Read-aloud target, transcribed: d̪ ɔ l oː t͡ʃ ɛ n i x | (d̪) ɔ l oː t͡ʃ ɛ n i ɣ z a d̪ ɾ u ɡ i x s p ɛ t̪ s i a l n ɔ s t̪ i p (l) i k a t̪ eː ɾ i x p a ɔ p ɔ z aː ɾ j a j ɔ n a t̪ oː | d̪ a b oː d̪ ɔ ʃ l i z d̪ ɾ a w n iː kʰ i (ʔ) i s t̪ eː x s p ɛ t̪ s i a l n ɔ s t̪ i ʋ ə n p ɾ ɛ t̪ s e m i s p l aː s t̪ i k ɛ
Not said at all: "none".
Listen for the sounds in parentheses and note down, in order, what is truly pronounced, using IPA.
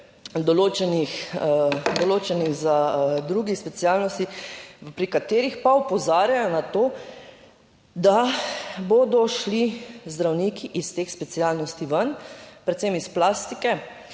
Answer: d̪, ɾ, ʔ

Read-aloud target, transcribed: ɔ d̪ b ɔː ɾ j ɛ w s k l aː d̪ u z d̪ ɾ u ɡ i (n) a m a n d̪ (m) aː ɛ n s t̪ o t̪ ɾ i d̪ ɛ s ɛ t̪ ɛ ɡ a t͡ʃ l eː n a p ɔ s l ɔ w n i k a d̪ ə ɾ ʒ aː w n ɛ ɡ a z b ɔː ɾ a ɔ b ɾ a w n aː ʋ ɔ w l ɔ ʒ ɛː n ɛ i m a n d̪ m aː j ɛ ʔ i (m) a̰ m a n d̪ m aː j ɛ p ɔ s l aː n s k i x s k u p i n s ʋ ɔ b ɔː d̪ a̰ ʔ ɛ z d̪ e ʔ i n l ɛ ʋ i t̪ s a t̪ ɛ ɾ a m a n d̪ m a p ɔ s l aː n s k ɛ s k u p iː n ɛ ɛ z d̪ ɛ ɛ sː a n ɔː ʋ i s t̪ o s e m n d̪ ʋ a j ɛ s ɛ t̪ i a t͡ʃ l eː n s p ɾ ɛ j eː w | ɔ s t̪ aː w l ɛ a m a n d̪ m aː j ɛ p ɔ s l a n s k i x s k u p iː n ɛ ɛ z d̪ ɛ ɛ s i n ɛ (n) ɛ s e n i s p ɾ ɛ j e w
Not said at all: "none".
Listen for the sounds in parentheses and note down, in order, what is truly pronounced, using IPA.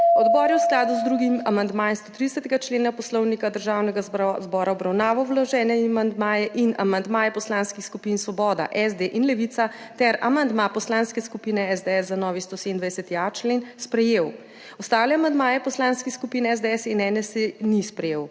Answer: m, m, n, n

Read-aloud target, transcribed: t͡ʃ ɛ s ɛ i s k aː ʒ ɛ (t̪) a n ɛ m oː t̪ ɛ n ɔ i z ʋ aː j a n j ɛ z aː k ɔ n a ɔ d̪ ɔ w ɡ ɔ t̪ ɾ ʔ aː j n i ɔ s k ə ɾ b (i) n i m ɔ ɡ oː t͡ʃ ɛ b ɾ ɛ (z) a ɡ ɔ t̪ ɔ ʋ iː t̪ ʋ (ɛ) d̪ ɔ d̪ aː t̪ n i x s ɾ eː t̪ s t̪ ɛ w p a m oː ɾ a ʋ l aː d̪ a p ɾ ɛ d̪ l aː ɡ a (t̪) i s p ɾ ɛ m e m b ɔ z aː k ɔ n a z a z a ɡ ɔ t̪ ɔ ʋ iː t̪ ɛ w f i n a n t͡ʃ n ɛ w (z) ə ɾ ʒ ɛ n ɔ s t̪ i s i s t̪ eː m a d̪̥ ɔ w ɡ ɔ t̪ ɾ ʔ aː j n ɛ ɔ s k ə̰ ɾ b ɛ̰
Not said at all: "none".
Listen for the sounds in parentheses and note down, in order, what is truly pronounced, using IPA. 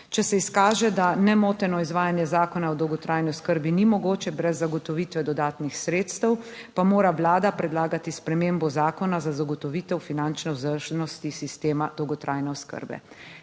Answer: d̪, i, zː, ɛ, t̪, z

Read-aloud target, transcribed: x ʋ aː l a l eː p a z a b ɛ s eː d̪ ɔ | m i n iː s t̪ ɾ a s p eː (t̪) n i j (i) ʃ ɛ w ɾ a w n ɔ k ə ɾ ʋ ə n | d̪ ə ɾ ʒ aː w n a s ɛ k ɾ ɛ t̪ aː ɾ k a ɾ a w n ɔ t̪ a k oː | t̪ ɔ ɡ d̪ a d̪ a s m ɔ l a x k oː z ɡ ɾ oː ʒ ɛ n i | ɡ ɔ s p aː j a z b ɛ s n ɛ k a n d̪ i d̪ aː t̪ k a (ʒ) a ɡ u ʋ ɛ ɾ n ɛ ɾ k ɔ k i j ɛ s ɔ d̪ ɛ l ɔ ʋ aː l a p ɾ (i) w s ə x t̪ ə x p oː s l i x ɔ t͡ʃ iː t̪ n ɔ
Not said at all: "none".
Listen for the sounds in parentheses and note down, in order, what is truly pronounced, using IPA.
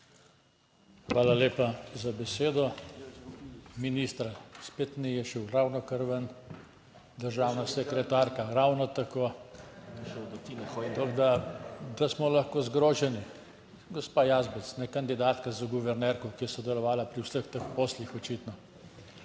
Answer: t̪, ɛ, z, i

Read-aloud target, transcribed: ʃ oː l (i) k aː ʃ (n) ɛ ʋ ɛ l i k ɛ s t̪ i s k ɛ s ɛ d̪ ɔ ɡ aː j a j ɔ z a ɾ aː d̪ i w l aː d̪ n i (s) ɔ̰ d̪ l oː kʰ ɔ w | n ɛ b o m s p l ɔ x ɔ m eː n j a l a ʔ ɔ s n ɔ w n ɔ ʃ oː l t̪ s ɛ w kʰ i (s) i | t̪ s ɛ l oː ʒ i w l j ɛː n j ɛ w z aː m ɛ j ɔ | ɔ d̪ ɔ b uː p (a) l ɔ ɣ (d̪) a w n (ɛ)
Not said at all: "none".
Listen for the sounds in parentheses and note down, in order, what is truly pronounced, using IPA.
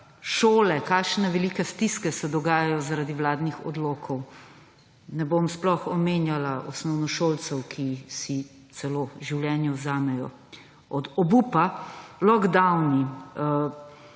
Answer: ɛ, n, x, s, a, d̪, i

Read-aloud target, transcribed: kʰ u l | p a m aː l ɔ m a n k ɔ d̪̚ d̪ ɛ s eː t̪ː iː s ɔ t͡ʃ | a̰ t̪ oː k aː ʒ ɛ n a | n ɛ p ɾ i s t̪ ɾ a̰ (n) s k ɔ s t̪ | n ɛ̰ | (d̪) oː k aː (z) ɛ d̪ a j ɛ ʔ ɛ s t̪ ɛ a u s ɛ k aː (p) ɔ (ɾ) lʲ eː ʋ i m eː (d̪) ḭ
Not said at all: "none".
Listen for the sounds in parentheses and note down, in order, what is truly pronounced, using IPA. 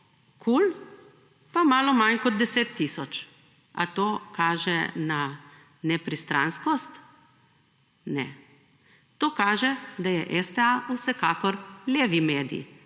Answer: n, t̪, ʒ, k, ɾ, d̪

